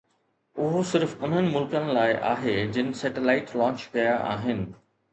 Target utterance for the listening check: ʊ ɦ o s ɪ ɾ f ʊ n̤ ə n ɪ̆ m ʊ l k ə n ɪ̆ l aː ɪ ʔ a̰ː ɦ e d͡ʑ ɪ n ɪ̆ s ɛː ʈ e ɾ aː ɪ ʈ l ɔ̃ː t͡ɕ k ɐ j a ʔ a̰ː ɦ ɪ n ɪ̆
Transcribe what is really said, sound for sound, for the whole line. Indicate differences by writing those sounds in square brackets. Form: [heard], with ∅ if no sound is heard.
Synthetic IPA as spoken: ʊ ɦ o s ɪ ɾ f ʊ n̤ ə n ɪ̆ m ʊ l k ə n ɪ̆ l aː ɪ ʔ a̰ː ɦ e d͡ʑ ɪ n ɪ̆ s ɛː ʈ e [l] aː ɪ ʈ l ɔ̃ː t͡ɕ k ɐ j a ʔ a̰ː ɦ ɪ n ɪ̆